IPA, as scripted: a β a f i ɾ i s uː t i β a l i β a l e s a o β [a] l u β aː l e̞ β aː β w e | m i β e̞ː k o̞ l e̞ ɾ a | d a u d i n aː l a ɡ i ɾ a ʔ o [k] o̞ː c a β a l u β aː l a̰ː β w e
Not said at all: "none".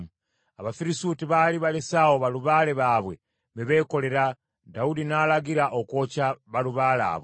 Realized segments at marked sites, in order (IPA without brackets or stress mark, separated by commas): a, k